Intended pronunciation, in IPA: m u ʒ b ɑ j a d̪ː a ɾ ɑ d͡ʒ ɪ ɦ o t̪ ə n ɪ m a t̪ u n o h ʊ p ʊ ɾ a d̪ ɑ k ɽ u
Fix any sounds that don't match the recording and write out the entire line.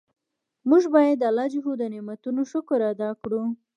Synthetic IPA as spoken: m u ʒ b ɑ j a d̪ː a l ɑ d͡ʒ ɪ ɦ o d̪ ə n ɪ m a t̪ u n o ʃ ʊ k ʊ ɾ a d̪ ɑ k ɽ u

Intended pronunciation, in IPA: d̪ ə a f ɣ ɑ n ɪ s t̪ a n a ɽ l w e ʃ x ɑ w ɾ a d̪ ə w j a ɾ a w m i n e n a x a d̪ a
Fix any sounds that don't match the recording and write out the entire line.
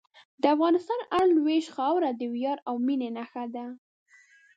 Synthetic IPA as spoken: d̪ ə a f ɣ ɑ n ɪ s t̪ ɑ n a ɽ l w e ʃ x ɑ w ɾ a d̪ ə w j ɑ ɾ a w m i n e n a x a d̪ a

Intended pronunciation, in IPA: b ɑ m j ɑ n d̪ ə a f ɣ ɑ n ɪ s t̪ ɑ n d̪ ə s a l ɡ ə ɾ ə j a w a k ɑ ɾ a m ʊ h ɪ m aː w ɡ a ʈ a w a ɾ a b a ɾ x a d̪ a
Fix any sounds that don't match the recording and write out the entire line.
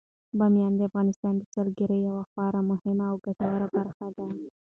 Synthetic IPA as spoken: b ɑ m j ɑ n d̪ ə a f ɣ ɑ n ɪ s t̪ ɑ n d̪ ə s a l ɡ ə ɾ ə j a w a x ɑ ɾ a m ʊ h ɪ m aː w ɡ a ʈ a w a ɾ a b a ɾ x a d̪ a

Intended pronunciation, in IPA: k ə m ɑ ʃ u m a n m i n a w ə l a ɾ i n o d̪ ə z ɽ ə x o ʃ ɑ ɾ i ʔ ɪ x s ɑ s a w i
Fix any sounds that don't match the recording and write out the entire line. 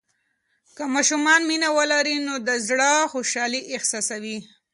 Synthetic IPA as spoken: k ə m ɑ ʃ u m ɑ n m i n a w ə l a ɾ i n o d̪ ə z ɽ ə x o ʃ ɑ l i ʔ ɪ x s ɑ s a w i

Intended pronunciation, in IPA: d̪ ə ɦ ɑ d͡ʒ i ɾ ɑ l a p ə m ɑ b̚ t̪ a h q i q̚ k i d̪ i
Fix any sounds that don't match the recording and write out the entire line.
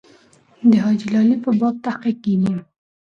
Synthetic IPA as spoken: d̪ ə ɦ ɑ d͡ʒ i l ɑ l i p ə b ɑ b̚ t̪ a h q i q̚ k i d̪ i

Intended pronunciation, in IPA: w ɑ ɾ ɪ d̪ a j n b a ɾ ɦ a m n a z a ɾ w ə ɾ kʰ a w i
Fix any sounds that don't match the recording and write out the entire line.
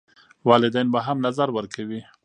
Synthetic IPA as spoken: w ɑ l ɪ d̪ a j n b a ɦ a m n a z a ɾ w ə ɾ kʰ a w i

